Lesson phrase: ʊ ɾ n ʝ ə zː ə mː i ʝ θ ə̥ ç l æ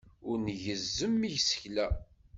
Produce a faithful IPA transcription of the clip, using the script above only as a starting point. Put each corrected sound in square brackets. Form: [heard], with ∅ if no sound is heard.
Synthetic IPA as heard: ʊ ɾ n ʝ ə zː ə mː i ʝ [s] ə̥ ç l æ